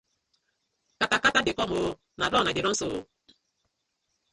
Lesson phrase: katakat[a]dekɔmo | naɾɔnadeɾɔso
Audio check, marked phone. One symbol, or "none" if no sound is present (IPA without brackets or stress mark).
a